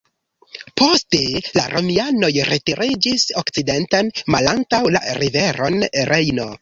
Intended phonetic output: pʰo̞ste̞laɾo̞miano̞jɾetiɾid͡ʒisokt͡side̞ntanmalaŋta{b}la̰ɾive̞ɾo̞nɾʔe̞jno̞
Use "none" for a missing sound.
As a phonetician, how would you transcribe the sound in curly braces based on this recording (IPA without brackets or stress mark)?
w